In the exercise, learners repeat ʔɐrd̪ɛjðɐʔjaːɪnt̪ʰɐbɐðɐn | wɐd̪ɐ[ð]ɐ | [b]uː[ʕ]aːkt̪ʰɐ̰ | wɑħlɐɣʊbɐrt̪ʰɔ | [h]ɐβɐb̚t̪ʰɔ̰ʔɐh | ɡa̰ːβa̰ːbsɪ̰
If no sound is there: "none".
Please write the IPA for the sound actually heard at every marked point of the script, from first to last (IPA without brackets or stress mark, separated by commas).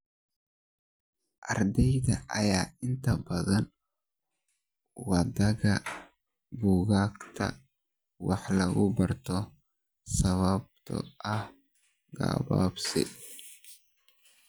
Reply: ɣ, b, ɣ, s